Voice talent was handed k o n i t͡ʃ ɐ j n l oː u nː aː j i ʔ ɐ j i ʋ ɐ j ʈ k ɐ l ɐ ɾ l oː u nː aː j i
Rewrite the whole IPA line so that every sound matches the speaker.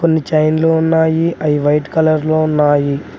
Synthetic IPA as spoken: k o nː i t͡ʃ ɐ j n l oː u nː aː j i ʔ ɐ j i ʋ ɐ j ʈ k ɐ l ɐ ɾ l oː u nː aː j i